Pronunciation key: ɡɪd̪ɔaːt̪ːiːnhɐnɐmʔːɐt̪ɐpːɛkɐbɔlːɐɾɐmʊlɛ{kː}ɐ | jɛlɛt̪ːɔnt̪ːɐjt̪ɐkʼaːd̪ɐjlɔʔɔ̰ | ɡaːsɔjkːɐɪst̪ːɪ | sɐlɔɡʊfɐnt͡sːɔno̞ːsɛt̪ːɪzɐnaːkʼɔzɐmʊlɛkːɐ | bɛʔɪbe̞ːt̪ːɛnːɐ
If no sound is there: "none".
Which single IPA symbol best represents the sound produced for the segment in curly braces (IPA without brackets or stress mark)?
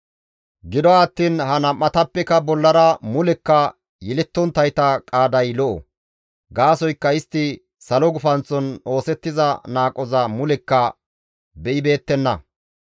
kː